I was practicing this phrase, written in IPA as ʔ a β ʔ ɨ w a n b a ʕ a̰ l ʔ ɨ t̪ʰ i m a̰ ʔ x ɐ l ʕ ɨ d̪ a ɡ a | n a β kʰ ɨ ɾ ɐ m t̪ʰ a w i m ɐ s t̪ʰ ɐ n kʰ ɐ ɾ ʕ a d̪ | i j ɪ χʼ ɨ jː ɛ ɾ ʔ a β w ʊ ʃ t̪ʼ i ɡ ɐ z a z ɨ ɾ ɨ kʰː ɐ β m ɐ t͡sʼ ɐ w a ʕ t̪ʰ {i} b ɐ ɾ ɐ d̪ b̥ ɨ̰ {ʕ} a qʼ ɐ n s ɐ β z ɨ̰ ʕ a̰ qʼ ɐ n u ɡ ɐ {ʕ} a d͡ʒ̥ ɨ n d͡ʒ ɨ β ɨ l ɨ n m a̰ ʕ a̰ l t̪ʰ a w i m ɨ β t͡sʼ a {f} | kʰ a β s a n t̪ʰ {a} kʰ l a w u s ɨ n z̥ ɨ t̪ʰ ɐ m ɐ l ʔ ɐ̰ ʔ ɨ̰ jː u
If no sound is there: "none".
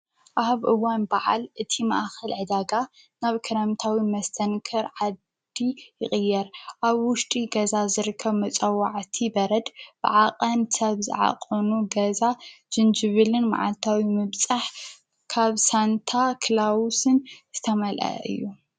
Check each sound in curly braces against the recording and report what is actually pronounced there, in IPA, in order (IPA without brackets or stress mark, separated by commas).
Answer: i, ʕ, z, ħ, a